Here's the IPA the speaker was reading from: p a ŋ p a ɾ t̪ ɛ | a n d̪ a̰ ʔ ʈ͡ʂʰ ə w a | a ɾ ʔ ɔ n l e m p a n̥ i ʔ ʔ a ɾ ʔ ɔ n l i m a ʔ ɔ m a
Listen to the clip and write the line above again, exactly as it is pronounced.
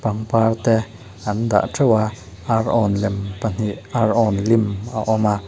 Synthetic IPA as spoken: p a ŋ p a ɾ t̪ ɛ | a n d̪ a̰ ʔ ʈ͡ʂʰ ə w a | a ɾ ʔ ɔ n l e m p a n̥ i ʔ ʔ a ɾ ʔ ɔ n l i m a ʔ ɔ m a